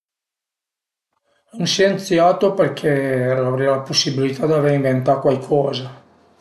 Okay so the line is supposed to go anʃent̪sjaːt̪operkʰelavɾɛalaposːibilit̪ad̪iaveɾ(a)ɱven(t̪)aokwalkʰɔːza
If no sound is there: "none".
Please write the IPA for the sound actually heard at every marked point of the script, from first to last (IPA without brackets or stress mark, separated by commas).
i, t̪